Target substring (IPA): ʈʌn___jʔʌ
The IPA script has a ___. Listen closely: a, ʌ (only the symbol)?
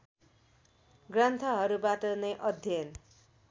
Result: ʌ